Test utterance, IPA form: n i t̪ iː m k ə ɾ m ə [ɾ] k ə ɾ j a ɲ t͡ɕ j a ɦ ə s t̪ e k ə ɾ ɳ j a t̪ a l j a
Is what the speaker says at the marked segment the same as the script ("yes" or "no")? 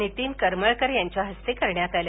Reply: no